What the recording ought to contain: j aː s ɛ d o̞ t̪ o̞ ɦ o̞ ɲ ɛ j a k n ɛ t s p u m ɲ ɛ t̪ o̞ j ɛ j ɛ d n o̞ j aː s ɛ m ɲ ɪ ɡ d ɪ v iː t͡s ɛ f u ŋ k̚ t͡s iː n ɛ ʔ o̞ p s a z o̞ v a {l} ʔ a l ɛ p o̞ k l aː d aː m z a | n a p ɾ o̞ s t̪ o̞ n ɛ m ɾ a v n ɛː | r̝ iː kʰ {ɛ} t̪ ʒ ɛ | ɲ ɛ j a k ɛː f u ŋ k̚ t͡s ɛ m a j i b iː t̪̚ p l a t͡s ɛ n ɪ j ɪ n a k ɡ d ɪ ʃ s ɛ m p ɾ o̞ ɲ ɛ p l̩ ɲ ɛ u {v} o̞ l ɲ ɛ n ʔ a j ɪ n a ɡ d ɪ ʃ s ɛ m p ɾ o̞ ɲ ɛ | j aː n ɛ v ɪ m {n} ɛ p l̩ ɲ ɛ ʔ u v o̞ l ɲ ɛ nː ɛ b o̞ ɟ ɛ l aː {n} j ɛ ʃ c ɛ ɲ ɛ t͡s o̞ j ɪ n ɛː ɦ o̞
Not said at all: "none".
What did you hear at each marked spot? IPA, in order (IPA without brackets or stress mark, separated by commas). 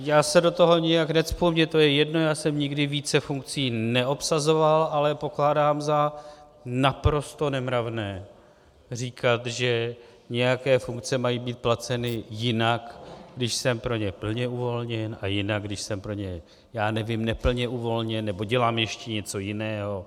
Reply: l, a, v, n, m